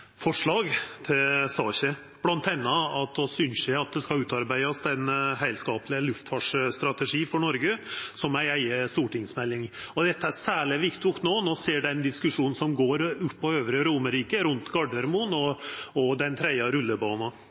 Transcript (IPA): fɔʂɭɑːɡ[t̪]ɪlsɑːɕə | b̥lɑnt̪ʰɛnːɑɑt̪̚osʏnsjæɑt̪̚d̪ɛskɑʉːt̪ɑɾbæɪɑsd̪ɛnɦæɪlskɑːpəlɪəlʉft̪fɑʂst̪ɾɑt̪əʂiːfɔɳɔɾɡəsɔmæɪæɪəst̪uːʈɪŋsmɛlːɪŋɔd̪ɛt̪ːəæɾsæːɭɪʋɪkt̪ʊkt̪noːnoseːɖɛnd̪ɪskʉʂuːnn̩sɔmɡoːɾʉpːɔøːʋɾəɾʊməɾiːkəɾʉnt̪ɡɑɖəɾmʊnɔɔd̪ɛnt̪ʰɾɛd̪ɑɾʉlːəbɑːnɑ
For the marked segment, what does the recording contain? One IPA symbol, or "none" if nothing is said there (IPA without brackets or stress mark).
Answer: t̪ʰ